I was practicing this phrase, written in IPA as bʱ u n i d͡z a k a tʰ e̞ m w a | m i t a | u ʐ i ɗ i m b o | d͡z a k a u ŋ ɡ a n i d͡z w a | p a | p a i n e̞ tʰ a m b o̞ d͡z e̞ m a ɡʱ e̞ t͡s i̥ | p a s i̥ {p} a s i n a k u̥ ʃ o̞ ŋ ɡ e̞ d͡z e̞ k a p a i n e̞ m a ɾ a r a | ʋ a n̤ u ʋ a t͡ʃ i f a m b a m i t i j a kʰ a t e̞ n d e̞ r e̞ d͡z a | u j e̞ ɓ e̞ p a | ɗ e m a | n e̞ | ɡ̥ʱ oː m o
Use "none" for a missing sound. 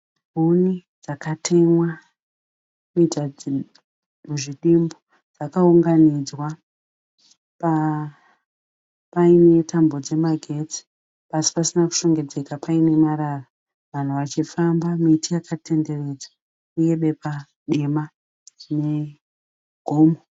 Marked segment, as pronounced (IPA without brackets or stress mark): p